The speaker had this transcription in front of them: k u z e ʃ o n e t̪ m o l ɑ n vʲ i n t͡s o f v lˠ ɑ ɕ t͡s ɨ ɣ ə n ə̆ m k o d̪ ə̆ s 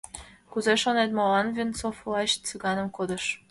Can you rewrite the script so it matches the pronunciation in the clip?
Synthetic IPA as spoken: k u z e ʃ o n e t̪ m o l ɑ n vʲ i n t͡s o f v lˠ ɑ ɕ t͡s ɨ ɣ ɑ n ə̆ m k o d̪ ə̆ ʃ